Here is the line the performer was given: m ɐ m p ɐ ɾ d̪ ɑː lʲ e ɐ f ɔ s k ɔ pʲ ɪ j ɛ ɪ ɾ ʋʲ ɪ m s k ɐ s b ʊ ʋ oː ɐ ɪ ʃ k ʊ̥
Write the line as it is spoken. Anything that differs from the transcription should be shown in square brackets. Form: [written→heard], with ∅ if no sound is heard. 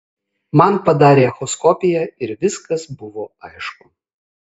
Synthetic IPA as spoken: m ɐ [m→n] p ɐ [ɾ→∅] d̪ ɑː [lʲ→ɾʲ] e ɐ [f→x] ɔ s k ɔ pʲ ɪ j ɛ ɪ ɾ ʋʲ ɪ [m→∅] s k ɐ s b ʊ ʋ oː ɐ ɪ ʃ k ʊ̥